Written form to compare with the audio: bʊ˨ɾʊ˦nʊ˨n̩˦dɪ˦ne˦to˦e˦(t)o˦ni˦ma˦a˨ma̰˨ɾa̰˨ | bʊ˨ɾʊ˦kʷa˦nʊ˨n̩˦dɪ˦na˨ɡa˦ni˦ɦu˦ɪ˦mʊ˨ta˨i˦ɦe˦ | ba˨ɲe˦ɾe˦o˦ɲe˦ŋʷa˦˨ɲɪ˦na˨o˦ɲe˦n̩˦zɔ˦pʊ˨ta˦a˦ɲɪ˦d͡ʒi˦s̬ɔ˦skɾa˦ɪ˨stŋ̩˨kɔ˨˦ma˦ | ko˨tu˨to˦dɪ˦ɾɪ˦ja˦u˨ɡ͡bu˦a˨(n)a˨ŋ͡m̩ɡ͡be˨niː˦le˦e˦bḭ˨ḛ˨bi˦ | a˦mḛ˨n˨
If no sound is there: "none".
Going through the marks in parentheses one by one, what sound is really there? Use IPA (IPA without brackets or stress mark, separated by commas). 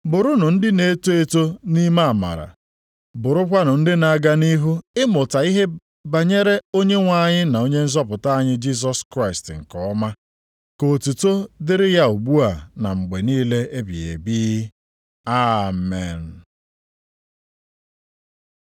t, n